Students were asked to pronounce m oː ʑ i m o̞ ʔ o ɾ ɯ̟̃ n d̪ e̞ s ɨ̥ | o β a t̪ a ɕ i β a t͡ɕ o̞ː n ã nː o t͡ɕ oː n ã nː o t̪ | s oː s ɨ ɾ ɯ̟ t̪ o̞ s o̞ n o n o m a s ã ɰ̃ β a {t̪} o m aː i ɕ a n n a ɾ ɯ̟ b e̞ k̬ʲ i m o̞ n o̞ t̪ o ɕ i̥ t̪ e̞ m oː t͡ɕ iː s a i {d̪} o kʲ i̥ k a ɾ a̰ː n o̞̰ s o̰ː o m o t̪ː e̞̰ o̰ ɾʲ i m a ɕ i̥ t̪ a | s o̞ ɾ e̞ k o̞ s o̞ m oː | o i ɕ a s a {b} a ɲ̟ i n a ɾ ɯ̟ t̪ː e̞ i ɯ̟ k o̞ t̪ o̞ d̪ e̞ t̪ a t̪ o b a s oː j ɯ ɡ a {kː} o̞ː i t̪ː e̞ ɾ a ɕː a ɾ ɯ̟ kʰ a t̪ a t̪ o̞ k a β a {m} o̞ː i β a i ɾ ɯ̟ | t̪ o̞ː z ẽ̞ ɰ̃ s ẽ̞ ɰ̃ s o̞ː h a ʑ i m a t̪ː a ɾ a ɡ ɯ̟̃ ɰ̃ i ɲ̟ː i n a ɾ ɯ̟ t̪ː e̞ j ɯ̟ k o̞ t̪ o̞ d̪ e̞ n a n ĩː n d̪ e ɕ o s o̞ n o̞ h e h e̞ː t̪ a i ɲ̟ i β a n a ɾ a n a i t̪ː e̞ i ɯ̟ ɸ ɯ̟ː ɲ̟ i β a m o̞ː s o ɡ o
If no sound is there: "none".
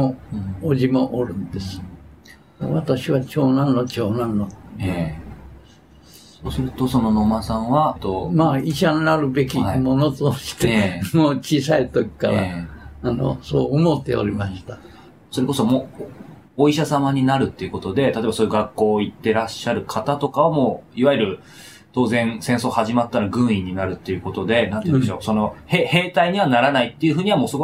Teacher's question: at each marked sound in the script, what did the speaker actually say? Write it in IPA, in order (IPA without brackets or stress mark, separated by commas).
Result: t̪, t̪, m, kː, m